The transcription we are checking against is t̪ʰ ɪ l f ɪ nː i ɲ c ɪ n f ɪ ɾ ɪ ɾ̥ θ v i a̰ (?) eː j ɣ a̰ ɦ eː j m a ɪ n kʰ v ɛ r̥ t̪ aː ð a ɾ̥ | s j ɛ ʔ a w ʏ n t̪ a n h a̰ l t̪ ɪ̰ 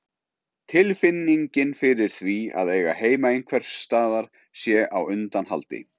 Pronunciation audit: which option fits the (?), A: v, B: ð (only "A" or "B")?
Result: B